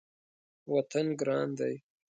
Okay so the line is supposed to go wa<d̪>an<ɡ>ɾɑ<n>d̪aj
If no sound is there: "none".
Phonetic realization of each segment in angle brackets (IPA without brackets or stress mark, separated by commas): t̪, ɡ, n